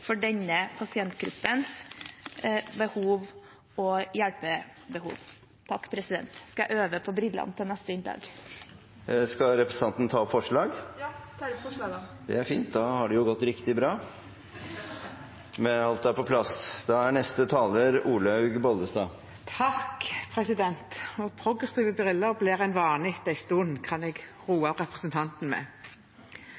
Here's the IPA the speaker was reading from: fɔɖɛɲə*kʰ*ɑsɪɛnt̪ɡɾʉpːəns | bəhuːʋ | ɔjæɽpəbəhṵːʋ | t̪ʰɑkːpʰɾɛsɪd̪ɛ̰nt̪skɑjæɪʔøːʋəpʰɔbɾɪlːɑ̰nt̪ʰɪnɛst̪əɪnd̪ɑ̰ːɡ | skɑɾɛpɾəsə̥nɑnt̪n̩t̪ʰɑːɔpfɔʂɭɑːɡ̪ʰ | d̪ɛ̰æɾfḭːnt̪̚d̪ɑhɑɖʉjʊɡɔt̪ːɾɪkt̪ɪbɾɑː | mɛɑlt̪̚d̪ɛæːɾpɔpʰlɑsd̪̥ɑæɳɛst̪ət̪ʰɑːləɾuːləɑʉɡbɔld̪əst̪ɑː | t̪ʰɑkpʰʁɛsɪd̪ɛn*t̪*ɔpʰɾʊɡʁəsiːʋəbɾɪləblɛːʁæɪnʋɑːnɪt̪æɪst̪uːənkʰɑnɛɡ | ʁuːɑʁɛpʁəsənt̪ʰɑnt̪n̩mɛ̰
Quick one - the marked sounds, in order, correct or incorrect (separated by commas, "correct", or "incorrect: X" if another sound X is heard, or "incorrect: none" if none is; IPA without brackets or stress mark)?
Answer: incorrect: pʰ, correct